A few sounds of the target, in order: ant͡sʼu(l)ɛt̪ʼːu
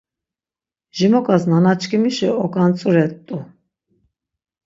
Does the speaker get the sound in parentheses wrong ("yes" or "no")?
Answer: yes